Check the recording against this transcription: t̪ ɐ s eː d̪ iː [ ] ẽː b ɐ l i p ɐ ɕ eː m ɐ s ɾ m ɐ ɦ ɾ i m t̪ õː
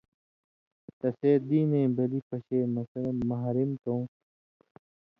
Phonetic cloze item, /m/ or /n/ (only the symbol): n